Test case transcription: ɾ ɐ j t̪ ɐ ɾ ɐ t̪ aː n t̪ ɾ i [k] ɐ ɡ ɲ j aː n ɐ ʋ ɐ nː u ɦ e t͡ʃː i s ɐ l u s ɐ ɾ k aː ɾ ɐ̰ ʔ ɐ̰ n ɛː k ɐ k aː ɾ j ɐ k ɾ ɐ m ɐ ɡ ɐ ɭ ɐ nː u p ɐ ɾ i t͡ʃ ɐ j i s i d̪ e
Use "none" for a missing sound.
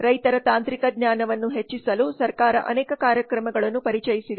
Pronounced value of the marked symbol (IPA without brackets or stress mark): k